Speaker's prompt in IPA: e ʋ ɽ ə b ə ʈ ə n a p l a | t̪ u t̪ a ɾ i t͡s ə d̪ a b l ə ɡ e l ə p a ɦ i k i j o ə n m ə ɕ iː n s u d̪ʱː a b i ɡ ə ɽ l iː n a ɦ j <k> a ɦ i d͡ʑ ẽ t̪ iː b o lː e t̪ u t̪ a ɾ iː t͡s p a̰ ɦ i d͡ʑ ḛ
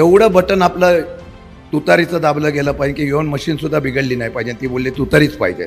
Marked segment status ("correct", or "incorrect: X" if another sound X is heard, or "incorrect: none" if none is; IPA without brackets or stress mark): incorrect: p